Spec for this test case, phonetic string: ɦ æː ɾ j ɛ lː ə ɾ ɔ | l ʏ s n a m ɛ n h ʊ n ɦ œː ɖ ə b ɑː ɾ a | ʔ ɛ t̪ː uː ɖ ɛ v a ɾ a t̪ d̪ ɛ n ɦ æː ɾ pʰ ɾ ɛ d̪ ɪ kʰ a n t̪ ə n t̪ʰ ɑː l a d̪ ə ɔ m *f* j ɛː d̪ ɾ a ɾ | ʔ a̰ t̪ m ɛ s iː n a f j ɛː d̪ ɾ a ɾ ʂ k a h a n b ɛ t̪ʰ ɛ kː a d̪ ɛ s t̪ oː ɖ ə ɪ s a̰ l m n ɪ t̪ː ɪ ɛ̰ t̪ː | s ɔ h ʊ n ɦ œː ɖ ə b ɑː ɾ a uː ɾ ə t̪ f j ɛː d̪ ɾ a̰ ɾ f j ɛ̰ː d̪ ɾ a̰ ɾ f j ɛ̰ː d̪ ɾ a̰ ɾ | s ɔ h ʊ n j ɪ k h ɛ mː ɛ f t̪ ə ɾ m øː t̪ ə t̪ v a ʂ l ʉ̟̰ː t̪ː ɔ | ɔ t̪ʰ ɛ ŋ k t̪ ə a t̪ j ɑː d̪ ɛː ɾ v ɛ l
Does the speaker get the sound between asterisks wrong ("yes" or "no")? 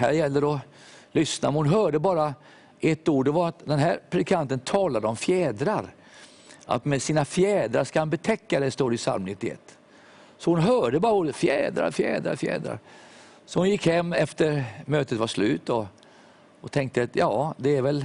no